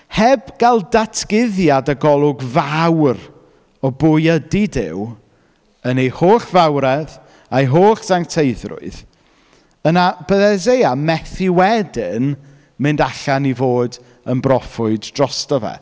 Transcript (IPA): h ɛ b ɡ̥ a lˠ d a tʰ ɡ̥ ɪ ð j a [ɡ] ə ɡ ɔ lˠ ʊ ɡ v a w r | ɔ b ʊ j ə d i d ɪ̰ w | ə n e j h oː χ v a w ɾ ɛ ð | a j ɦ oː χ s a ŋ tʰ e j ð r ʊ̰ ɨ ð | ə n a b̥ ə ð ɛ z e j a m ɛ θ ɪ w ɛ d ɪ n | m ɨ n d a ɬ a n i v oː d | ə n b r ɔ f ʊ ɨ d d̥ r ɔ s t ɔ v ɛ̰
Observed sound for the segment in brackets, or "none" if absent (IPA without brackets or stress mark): d